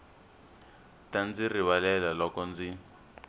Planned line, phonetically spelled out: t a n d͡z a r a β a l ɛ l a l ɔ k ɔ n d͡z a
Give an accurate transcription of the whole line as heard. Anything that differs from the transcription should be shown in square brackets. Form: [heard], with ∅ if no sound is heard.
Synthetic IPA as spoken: t a n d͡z [i] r [i] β a l ɛ l a l ɔ k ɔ n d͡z [i]